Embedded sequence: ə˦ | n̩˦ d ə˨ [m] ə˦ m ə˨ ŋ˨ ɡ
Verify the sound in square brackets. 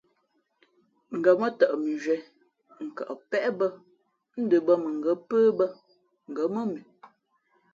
incorrect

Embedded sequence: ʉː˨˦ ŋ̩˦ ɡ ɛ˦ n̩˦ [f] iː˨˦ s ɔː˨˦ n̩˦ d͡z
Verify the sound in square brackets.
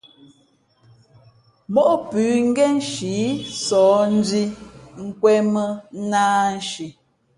incorrect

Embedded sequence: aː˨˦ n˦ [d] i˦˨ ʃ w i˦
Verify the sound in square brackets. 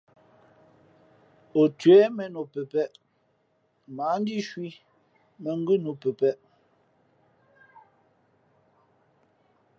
correct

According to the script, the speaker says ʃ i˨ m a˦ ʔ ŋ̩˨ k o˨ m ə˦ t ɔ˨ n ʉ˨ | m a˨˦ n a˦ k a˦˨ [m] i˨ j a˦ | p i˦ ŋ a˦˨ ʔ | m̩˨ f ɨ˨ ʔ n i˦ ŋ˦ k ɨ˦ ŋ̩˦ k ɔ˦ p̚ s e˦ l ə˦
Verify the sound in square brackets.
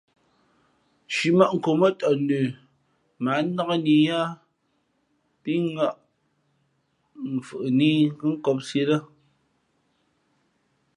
incorrect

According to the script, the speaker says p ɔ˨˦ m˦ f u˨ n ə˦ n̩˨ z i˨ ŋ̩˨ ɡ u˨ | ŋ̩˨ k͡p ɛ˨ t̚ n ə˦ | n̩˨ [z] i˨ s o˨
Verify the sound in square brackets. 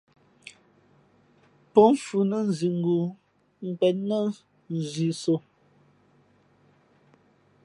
correct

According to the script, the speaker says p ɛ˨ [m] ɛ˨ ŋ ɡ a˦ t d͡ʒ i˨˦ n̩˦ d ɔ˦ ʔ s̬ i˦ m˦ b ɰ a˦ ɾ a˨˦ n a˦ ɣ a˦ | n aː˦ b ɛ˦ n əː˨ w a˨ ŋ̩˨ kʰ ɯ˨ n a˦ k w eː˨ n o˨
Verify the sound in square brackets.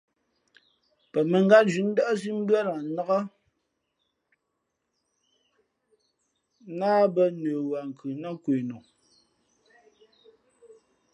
correct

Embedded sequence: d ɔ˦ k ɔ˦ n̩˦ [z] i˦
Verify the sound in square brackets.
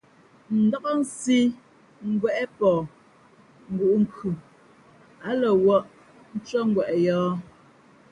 incorrect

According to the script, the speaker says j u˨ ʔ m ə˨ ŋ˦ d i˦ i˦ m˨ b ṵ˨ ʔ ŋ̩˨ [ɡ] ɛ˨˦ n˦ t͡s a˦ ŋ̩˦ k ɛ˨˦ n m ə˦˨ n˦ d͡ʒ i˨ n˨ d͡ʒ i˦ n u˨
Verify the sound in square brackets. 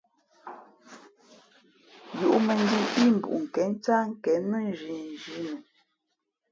incorrect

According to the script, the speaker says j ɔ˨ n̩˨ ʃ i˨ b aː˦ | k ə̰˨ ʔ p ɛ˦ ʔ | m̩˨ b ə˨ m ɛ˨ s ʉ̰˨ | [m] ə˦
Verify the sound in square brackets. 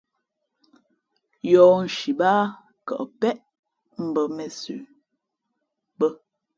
incorrect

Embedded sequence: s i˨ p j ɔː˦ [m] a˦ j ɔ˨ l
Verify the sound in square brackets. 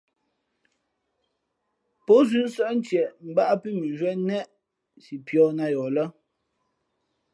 incorrect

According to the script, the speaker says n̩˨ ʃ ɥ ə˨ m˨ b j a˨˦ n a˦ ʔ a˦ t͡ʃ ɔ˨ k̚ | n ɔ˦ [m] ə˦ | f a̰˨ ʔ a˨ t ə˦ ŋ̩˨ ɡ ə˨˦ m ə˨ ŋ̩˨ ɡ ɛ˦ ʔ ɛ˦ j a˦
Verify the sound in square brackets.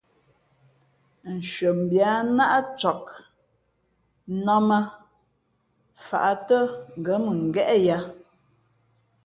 correct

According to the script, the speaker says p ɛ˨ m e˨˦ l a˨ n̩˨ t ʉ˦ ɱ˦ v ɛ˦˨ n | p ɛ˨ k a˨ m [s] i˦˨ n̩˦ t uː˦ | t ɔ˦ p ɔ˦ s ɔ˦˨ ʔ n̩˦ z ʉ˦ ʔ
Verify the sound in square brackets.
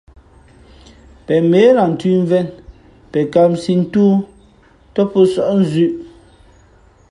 correct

